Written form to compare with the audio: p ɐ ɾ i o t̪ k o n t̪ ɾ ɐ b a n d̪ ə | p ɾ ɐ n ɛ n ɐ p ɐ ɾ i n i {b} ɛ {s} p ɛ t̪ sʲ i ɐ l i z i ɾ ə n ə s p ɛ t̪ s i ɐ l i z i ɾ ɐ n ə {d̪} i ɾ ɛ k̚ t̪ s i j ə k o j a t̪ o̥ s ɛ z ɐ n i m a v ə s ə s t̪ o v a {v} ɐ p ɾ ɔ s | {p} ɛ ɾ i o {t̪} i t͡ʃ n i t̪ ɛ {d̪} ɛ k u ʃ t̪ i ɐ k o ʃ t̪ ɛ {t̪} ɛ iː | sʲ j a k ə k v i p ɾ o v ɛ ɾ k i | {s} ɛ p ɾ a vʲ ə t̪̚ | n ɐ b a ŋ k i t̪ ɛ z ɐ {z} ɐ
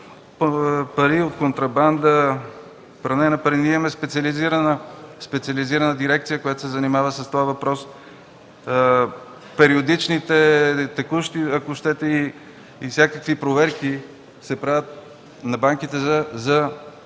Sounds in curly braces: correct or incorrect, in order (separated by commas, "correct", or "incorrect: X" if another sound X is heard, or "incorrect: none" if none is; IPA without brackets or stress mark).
incorrect: m, correct, correct, correct, correct, incorrect: d̪, incorrect: t̪, correct, correct, correct